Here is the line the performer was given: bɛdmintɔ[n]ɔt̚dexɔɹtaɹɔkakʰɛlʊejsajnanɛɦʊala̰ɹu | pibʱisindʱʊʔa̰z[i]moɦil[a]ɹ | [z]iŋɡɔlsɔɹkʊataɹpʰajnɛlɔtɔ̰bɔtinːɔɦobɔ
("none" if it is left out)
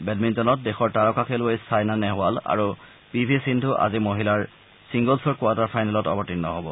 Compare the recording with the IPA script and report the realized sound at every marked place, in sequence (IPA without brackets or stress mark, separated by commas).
n, i, a, s